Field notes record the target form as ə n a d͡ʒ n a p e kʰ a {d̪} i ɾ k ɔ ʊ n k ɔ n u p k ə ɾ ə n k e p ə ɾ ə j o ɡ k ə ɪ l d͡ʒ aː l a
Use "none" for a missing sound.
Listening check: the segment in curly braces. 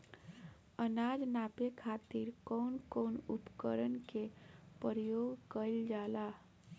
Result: t̪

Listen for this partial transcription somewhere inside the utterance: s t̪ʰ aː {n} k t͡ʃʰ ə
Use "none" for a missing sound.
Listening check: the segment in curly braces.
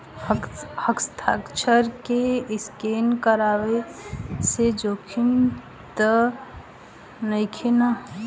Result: none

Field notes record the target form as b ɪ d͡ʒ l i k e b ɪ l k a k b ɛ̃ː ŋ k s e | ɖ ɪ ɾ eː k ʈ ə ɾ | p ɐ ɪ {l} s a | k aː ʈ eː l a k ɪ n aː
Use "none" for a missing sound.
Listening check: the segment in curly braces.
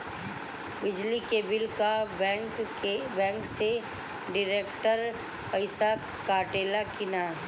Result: none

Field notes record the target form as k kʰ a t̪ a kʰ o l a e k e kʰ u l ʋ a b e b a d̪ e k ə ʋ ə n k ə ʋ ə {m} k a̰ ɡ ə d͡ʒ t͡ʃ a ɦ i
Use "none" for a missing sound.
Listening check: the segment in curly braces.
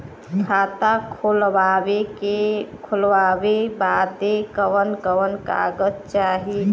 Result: n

